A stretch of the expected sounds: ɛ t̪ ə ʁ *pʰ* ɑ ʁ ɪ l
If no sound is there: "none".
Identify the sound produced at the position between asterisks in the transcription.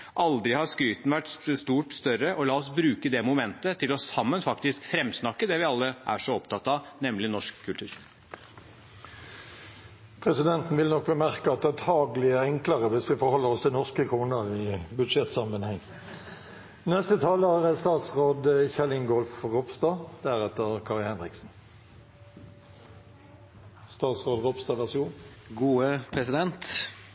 kʰ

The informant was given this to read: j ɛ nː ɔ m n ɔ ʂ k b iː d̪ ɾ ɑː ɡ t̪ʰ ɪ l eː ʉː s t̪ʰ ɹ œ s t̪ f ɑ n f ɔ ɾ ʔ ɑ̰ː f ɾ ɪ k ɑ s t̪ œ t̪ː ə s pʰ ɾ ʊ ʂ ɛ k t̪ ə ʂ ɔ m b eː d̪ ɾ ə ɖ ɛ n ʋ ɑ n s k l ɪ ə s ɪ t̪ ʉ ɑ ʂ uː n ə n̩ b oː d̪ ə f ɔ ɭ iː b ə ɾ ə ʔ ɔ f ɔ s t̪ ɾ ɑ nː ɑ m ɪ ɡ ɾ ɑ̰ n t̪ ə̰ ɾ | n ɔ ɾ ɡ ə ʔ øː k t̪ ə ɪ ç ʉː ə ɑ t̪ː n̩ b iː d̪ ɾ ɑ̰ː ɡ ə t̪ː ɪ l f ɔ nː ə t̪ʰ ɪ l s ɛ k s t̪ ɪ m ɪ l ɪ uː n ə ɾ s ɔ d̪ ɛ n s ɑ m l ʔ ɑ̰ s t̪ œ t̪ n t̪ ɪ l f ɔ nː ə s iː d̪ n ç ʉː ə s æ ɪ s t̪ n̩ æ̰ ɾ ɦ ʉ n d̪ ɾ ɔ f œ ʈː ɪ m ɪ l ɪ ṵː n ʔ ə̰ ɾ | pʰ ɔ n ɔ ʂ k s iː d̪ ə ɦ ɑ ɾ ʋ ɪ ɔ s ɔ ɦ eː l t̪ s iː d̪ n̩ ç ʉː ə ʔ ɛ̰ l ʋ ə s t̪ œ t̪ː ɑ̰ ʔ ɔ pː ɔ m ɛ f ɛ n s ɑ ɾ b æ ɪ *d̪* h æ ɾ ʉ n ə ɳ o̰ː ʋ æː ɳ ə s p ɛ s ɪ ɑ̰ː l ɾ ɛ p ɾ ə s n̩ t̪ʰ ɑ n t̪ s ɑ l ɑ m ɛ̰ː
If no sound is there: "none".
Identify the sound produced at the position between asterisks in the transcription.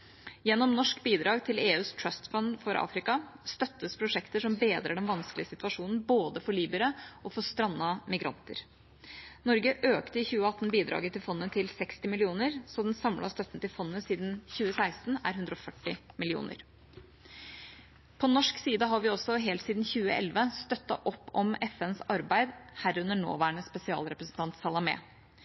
d̪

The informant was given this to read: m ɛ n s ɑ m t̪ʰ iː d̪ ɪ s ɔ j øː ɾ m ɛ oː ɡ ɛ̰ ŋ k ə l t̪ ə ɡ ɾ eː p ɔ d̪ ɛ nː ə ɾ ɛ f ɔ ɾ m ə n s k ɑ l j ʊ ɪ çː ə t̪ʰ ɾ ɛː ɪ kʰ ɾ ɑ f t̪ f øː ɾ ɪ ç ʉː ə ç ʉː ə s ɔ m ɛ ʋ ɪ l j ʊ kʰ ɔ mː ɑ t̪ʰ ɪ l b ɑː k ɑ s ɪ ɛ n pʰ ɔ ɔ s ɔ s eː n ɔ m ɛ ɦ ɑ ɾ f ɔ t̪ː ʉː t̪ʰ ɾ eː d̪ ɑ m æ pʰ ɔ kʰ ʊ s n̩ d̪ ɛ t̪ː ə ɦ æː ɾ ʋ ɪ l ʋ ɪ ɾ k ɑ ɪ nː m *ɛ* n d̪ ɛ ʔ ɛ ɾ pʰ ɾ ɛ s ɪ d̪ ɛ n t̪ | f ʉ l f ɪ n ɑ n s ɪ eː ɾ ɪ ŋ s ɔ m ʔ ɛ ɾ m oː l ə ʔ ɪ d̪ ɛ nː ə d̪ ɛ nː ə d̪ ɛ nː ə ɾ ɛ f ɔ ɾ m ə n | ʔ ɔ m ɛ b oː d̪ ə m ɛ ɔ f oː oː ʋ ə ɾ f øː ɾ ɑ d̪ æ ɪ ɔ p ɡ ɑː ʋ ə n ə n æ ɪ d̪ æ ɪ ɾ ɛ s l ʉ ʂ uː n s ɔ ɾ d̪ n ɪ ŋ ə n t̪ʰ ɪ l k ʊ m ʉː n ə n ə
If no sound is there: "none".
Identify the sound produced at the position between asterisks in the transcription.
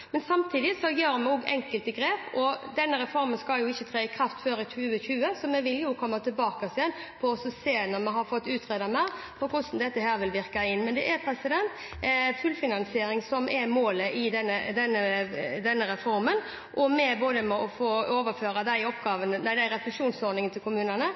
ɛ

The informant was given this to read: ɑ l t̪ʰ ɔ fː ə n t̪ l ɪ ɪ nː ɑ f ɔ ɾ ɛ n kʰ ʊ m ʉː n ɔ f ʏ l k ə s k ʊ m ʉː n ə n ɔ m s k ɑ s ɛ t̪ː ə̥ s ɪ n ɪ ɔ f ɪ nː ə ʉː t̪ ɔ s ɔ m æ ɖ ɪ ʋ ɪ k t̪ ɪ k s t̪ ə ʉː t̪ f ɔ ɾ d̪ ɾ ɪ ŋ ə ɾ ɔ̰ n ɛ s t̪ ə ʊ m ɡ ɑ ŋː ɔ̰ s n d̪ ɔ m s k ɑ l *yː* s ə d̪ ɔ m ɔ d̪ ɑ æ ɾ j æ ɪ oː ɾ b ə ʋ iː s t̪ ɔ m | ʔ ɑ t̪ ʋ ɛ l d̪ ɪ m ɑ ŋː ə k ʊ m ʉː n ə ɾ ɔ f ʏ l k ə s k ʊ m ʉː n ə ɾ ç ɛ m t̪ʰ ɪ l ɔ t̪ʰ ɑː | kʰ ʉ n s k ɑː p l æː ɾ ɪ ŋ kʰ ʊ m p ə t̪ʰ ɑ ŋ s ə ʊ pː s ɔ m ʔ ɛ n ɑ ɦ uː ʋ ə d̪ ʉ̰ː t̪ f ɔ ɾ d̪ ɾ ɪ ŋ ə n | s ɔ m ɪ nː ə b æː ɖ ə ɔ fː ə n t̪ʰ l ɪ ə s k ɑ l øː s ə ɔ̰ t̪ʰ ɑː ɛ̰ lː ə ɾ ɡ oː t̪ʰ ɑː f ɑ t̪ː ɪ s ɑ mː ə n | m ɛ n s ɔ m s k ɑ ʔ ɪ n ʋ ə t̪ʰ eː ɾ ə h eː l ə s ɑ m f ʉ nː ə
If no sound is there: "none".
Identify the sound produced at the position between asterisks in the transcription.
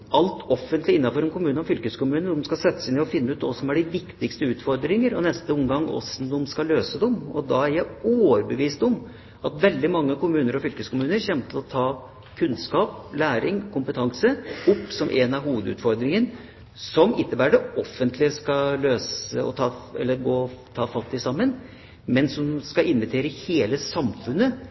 øː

